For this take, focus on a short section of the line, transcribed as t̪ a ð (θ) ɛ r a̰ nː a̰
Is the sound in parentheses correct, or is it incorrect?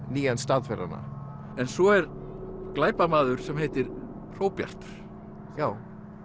incorrect